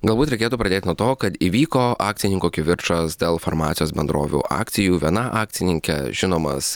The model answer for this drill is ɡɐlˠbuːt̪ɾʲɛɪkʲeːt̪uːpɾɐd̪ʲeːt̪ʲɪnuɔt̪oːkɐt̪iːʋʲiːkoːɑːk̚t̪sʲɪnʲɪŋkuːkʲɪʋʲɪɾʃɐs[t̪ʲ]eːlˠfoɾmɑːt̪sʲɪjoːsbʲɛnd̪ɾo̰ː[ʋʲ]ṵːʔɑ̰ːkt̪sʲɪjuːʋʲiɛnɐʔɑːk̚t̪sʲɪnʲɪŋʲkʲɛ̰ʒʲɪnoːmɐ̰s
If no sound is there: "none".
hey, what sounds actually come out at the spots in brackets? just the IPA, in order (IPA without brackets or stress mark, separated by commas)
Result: d̪ʲ, ʋʲ